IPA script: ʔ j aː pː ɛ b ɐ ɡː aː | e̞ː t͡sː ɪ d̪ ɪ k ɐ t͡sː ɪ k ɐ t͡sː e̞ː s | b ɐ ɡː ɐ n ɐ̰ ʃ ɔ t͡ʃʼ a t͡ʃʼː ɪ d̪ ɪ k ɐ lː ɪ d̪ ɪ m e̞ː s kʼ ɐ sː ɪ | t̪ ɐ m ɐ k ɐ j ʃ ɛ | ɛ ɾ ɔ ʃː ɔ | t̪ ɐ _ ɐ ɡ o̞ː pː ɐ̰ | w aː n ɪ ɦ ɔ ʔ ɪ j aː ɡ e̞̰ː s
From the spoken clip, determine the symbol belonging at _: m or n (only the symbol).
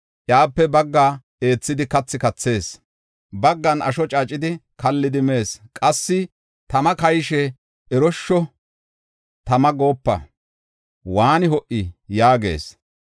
m